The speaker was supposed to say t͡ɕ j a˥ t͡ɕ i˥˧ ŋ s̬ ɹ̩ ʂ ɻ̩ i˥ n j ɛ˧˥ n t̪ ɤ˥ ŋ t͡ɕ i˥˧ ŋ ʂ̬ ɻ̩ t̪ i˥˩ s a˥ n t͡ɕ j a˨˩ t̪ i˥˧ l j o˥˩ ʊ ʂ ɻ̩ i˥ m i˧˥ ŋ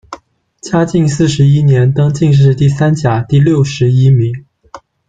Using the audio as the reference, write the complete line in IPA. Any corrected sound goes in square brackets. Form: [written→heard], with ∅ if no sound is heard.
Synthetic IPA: t͡ɕ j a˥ t͡ɕ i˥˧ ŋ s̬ ɹ̩ ʂ ɻ̩ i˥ n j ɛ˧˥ n t̪ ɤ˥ ŋ t͡ɕ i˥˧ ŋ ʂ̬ ɻ̩ t̪ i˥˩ s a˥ n t͡ɕ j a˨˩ t̪ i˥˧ l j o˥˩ ʊ ʂ ɻ̩ i˥ m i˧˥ ŋ

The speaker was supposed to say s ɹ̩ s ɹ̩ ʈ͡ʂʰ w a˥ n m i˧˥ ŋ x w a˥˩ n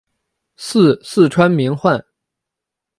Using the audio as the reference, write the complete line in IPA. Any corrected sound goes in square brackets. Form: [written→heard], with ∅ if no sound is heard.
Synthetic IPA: s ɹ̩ s ɹ̩ ʈ͡ʂʰ w a˥ n m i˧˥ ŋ x w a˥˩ n

